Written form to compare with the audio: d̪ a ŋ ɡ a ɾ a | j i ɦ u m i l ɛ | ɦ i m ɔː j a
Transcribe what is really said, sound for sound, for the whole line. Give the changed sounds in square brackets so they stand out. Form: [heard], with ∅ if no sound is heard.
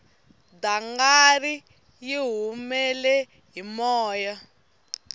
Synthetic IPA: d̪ a ŋ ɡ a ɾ [i] | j i ɦ u m [ɛ] l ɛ | ɦ i m ɔː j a